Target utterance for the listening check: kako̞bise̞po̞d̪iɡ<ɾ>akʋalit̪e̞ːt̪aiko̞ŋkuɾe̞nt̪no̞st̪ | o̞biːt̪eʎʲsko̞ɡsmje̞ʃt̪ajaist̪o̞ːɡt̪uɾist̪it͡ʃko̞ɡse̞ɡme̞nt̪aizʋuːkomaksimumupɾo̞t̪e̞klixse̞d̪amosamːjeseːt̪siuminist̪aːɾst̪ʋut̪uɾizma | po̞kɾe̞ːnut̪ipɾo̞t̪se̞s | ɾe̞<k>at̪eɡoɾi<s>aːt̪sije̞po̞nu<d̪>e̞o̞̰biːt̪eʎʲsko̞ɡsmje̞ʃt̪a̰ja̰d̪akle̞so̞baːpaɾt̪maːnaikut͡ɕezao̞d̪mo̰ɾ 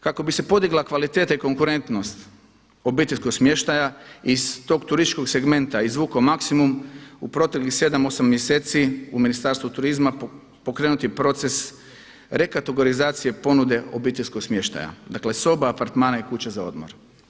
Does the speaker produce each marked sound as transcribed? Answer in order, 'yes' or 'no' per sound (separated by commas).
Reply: no, yes, no, yes